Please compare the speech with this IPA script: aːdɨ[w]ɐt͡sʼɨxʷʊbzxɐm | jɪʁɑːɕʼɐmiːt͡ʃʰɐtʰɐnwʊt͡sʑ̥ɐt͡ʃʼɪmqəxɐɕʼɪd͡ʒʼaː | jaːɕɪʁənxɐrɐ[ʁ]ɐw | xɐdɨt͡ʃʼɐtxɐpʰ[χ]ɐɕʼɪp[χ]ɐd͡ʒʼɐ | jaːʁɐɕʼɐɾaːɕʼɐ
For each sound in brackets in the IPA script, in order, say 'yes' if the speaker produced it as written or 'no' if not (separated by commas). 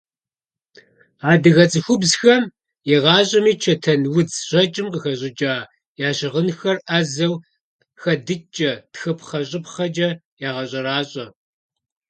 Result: no, no, yes, yes